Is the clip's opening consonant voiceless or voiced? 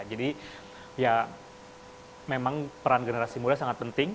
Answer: voiced